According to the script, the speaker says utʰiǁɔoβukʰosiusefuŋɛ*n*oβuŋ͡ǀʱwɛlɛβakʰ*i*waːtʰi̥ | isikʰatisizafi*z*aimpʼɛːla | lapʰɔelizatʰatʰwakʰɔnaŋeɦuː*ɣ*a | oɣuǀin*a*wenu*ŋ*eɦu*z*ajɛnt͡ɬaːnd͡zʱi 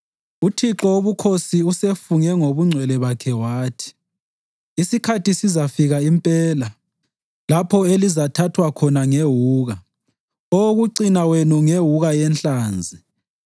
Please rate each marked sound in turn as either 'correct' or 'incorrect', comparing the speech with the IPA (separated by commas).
incorrect, incorrect, incorrect, correct, correct, correct, incorrect